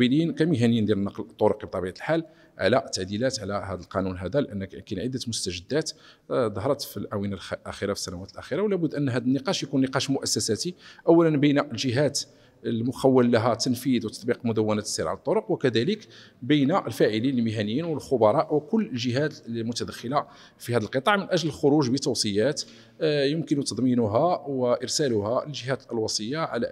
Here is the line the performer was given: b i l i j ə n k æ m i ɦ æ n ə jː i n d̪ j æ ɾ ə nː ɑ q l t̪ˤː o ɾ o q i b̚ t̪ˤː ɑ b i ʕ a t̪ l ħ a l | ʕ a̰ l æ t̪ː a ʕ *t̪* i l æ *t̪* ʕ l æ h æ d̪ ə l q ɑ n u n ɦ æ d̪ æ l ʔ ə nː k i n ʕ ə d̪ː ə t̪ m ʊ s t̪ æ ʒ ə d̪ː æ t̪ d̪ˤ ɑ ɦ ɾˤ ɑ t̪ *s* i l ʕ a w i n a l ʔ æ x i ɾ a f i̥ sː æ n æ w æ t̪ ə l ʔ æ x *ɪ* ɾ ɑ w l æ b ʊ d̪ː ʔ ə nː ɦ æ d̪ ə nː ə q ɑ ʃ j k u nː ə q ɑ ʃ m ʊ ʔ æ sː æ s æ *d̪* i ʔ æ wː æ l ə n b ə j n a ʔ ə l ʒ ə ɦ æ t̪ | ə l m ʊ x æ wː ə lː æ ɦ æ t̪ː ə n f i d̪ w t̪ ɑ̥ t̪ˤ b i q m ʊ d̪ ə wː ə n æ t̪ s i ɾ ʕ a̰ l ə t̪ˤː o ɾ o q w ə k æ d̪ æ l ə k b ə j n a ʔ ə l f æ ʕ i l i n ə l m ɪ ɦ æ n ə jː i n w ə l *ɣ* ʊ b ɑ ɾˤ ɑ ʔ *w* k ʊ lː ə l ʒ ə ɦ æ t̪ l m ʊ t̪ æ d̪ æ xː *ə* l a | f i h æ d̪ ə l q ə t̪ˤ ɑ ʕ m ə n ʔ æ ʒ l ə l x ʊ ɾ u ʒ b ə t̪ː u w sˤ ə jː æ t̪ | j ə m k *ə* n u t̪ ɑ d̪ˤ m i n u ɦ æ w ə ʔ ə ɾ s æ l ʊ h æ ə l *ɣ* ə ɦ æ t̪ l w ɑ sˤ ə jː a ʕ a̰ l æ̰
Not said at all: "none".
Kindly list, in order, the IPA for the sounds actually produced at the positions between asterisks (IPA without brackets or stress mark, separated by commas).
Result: d̪, t̪, f, i, t̪, x, w, ə, ə, ʒ